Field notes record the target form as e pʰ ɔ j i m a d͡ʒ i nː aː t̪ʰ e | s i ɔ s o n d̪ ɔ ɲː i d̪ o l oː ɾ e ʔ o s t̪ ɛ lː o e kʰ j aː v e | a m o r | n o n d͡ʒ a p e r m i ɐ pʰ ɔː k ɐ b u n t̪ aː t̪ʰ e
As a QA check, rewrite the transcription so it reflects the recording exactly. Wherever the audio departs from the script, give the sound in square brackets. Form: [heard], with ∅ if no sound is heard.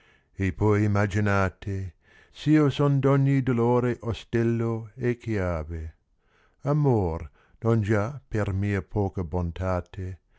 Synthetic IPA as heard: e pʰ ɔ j i m a d͡ʒ i [n] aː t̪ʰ e | s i [o] s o n d̪ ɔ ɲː i d̪ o l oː ɾ e ʔ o s t̪ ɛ lː o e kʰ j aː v e | a m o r | n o n d͡ʒ a p e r m [iː] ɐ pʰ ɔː k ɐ b [o] n t̪ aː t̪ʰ e